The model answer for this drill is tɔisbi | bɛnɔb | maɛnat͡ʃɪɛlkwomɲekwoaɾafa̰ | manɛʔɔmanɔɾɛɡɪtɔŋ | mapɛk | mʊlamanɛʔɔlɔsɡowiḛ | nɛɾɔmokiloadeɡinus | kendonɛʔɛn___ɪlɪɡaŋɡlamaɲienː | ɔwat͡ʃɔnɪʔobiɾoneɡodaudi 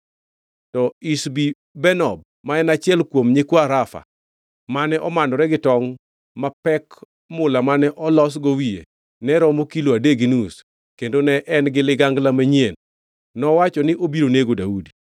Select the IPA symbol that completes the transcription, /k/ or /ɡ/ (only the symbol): ɡ